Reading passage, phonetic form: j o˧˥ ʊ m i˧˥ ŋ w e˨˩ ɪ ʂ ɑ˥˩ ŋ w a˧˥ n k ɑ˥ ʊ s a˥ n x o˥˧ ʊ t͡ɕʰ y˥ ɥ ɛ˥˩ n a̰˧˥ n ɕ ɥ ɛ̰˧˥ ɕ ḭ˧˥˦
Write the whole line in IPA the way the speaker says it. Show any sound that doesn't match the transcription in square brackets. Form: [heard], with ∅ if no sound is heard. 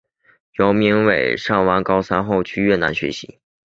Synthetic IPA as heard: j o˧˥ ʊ m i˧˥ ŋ w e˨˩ ɪ ʂ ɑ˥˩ ŋ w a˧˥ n k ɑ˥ ʊ s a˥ n x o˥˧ ʊ t͡ɕʰ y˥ ɥ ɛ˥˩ n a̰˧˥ n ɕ ɥ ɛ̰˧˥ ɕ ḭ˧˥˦